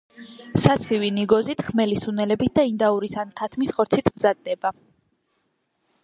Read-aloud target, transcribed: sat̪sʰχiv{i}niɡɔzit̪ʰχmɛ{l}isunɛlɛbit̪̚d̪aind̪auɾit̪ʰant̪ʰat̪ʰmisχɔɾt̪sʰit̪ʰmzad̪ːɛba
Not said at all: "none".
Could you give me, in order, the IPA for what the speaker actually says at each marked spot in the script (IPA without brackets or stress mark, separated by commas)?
i, l